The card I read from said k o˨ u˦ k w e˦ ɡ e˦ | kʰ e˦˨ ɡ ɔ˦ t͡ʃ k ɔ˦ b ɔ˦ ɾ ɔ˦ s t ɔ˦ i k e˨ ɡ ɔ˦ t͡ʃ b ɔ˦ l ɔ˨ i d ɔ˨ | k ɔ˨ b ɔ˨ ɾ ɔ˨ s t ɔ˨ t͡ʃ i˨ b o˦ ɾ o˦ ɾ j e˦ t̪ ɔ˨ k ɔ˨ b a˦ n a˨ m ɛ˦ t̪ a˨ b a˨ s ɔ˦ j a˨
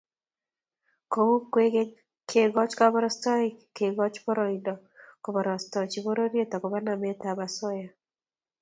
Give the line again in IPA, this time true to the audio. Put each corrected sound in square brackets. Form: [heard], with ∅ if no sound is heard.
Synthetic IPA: k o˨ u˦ k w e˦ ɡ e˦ | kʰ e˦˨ ɡ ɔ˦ t͡ʃ k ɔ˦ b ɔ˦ ɾ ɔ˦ s t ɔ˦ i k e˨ ɡ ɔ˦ t͡ʃ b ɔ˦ [ɾ] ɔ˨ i d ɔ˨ | k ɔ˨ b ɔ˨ ɾ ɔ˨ s t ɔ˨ t͡ʃ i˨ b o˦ ɾ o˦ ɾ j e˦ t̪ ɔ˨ k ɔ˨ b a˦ n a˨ m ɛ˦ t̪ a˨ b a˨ s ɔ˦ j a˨